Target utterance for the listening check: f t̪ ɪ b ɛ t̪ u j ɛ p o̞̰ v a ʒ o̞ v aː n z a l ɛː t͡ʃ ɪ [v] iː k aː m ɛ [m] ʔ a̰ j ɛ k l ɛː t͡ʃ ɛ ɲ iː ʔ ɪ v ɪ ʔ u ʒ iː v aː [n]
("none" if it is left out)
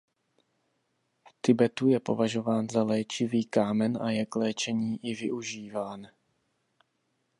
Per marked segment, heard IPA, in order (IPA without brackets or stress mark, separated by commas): v, n, n